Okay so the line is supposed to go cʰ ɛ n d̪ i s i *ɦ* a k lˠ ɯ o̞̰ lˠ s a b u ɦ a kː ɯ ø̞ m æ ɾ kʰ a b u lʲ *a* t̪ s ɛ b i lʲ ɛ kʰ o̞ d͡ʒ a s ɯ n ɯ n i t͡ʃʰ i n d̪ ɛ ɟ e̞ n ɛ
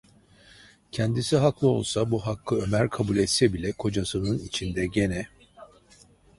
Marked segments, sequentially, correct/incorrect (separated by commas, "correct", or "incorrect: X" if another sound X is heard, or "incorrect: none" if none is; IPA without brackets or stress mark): correct, incorrect: ɛ